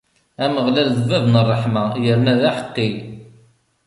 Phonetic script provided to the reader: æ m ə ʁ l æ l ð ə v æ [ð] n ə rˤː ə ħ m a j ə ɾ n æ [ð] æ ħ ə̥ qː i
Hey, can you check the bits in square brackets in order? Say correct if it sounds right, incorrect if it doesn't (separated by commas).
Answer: incorrect, correct